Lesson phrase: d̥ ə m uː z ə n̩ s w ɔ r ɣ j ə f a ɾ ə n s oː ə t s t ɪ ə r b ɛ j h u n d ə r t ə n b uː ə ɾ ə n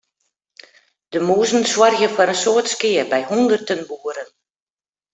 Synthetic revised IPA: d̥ ə m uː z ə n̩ s w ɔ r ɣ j ə f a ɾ ə n s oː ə t s k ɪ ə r b ɛ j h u n d ə r t ə n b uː ə ɾ ə n